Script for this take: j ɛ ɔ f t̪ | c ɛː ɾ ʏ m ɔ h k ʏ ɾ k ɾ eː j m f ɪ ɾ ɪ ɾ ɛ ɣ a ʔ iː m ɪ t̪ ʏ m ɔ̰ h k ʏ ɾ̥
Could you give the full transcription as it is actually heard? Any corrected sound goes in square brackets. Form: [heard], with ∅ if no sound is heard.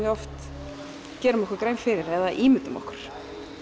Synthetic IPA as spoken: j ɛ ɔ f t̪ | c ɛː ɾ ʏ m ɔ h k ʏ ɾ k ɾ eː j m f ɪ ɾ ɪ ɾ ɛ [ð] a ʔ iː m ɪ t̪ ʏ m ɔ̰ h k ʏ ɾ̥